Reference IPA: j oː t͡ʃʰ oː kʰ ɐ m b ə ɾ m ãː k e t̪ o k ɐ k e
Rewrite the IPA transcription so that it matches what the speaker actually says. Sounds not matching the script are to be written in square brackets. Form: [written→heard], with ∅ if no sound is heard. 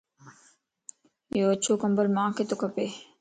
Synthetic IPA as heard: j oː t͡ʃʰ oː [kʰ→k] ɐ m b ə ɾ m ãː k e t̪ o k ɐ [k→p] e